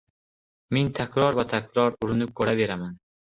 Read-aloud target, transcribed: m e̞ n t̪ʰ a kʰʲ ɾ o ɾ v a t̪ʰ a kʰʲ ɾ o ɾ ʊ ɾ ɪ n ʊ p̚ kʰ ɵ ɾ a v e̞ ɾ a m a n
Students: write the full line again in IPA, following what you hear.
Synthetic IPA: m e̞ n t̪ʰ a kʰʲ ɾ ɒ ɾ v a t̪ʰ a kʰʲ ɾ ɒ ɾ ʊ ɾ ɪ n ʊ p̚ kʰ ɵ ɾ a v e̞ ɾ a m a n